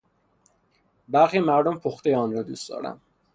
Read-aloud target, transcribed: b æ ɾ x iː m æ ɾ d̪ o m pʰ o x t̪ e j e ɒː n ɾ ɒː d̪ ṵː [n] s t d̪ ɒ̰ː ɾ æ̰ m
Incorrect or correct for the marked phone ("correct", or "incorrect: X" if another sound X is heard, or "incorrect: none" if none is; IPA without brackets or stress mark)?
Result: incorrect: none